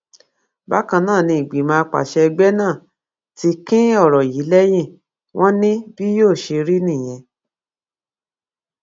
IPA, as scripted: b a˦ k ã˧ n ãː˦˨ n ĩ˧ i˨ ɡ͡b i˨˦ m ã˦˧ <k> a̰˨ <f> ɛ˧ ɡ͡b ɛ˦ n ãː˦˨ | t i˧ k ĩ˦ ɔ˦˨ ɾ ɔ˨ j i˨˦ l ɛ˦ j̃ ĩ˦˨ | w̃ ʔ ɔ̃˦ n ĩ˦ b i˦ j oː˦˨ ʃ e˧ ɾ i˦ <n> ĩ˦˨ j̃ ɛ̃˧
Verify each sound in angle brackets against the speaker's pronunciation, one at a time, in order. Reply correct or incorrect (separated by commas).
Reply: incorrect, incorrect, correct